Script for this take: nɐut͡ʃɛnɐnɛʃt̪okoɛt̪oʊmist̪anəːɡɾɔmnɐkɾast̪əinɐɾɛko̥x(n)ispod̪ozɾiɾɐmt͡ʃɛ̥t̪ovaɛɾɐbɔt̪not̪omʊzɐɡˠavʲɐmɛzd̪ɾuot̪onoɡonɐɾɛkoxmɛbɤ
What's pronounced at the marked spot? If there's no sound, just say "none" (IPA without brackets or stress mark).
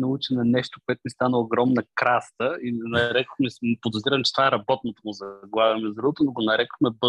m